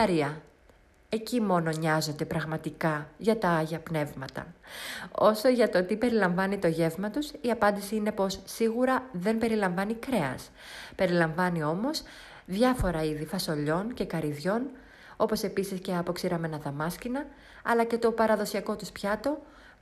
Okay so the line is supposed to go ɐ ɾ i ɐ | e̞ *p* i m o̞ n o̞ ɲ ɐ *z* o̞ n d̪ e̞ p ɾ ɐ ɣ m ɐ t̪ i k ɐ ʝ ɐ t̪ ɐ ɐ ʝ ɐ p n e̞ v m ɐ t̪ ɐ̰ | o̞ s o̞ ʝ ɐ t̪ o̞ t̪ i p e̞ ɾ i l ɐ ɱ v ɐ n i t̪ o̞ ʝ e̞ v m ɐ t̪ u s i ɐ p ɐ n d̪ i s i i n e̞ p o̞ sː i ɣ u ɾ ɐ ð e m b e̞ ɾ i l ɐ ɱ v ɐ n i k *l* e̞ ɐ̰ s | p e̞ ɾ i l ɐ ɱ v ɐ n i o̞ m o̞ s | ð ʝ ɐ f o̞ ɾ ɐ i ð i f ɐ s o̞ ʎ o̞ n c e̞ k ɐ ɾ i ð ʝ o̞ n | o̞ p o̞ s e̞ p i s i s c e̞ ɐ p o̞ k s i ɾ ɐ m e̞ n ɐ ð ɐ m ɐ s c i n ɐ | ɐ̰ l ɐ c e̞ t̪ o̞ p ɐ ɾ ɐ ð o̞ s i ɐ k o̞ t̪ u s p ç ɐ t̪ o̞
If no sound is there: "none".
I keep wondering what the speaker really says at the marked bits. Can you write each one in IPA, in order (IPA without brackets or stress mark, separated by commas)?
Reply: c, z, ɾ